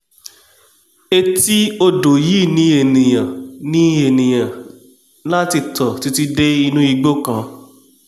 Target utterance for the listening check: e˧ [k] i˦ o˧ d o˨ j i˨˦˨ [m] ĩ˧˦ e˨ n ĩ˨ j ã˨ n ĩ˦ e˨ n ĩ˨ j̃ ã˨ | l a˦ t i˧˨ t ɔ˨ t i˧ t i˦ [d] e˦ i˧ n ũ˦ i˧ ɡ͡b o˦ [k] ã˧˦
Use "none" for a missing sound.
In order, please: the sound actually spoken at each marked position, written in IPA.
t, n, d, k

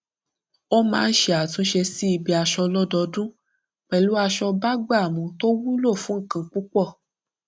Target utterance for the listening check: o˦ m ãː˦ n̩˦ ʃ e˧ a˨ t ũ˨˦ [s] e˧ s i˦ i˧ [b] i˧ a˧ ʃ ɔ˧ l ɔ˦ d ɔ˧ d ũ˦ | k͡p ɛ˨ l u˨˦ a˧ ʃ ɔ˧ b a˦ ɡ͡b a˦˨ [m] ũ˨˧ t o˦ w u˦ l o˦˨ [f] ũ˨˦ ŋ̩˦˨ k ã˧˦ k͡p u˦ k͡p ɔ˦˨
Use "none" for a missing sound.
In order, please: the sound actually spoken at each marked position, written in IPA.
ʃ, b, m, f

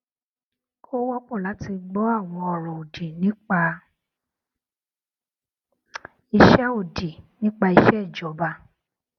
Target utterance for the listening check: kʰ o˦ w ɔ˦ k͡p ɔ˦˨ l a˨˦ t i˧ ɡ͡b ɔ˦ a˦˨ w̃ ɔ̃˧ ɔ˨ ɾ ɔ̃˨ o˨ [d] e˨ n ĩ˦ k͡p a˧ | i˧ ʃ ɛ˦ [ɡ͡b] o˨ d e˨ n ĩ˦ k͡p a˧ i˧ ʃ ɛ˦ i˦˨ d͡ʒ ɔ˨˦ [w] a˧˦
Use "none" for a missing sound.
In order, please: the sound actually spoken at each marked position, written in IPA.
d, none, b

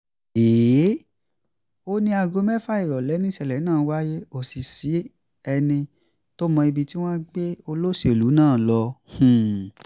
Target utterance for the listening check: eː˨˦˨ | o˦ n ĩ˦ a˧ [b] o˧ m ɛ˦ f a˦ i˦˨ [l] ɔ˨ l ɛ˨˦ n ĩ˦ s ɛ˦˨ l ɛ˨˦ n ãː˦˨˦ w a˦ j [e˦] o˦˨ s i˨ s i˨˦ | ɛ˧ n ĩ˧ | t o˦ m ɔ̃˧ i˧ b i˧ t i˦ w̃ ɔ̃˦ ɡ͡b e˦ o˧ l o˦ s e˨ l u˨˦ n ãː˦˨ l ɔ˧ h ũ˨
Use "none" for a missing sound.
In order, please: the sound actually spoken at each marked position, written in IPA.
ɡ, ɾ, e˦

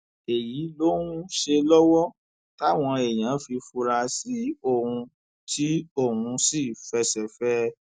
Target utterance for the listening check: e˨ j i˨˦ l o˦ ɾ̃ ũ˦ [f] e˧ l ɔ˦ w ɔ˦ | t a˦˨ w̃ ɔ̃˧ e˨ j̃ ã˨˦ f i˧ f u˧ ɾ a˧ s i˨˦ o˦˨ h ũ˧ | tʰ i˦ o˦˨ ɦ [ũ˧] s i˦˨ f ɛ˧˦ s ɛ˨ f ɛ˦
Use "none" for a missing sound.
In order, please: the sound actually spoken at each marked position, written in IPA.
ʃ, ũ˧

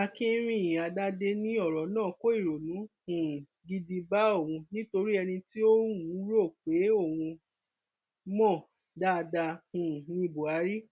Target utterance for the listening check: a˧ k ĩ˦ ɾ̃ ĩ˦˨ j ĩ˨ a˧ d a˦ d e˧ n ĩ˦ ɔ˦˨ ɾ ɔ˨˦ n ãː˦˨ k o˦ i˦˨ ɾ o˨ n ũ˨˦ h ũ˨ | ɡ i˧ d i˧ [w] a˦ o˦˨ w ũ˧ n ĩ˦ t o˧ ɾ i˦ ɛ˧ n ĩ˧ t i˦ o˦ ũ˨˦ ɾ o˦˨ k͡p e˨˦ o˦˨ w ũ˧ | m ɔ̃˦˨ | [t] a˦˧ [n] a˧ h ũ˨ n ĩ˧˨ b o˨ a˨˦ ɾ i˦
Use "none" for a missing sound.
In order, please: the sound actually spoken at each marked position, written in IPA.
b, d, d

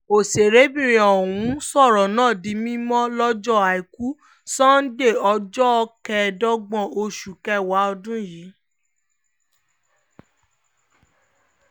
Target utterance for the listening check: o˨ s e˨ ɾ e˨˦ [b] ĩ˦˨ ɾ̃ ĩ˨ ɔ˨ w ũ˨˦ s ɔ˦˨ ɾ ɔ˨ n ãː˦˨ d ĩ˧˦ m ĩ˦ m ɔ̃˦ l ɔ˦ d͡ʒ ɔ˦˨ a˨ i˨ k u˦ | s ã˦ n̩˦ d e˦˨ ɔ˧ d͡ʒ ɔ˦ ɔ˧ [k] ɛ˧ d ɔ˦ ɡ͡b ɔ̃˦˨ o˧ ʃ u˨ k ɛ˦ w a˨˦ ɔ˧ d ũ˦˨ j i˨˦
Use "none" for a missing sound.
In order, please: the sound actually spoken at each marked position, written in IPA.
b, k

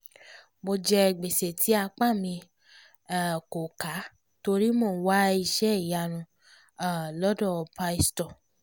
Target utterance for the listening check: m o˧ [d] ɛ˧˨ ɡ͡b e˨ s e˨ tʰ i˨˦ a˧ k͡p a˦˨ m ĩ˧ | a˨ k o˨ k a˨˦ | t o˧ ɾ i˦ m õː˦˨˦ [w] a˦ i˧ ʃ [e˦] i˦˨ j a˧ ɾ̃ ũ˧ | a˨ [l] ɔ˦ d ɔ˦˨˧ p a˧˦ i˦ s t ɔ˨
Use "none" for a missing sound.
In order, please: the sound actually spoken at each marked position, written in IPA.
d͡ʒ, w, ɛ˦, l

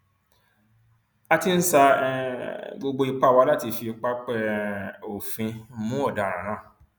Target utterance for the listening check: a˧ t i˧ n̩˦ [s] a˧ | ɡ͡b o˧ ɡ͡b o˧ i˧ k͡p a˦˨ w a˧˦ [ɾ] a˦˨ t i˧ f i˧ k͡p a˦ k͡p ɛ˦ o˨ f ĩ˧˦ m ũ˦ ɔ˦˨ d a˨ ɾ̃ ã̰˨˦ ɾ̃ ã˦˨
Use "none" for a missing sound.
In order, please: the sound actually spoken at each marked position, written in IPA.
s, l

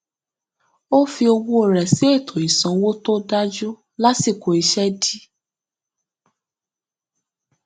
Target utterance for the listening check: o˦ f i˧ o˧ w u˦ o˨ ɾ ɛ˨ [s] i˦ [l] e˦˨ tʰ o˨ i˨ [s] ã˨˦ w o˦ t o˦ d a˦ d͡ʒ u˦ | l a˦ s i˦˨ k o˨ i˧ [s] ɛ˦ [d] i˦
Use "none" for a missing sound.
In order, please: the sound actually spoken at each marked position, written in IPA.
s, none, s, ʃ, d

